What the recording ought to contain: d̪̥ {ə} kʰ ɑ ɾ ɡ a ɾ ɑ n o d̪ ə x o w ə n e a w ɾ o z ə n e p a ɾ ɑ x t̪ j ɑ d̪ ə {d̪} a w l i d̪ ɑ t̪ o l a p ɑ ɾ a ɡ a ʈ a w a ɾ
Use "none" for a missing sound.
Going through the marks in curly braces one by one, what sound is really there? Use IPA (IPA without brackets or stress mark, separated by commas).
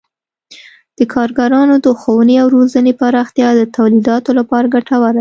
ə, t̪